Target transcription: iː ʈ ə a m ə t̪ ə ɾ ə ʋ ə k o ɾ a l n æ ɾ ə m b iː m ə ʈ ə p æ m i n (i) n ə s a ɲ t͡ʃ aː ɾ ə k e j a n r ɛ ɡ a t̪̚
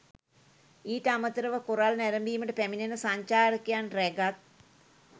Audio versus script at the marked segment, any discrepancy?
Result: yes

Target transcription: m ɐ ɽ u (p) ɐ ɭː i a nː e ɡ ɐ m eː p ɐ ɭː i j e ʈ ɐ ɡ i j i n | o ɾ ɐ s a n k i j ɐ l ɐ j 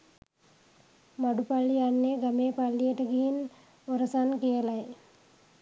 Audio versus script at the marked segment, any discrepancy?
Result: no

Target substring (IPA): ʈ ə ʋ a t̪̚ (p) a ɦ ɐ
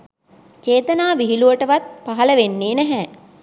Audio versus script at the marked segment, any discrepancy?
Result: no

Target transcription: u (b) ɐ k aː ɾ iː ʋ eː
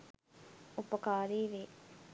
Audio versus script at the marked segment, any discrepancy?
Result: yes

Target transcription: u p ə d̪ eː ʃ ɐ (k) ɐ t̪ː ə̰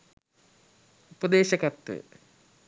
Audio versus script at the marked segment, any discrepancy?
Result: no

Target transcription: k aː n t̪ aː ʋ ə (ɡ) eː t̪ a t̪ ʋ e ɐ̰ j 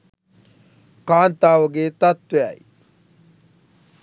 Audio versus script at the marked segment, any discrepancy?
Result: no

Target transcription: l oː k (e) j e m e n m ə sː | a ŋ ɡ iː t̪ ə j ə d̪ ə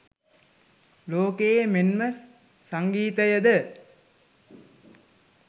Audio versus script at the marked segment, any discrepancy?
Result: no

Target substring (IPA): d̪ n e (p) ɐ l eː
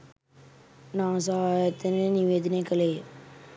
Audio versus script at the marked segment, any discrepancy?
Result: yes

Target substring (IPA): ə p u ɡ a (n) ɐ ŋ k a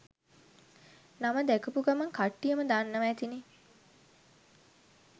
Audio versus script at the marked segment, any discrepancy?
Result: yes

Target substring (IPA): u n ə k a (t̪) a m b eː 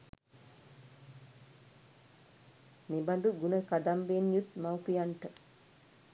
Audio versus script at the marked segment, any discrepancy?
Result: yes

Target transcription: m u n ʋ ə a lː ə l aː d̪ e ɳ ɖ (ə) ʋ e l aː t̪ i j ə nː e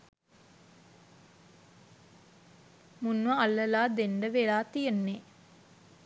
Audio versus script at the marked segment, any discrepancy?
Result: no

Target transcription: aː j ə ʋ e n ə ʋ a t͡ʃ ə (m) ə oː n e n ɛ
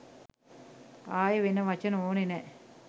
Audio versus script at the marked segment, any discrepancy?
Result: yes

